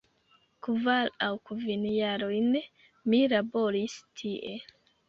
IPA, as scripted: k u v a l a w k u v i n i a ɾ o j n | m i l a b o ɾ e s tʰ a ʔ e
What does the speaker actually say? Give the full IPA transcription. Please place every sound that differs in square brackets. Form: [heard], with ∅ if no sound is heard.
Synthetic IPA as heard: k u v a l a w k u v i n [j] a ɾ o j n | m i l a b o ɾ [i] s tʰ [i] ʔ e